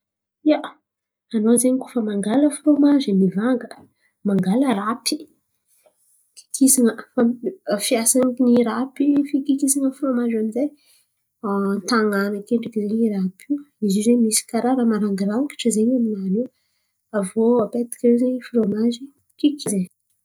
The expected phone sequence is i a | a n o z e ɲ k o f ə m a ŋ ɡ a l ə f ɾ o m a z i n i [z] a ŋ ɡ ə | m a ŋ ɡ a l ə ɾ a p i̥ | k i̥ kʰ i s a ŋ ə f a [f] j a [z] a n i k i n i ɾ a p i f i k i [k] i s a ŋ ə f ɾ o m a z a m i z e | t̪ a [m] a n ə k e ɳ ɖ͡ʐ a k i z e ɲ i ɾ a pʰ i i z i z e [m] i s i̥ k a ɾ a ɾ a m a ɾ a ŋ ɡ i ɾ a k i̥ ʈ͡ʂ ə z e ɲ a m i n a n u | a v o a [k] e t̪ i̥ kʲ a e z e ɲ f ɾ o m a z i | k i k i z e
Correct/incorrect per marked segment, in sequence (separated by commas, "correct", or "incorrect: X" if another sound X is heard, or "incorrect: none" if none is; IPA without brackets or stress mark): incorrect: v, correct, incorrect: s, correct, incorrect: ŋ, correct, incorrect: p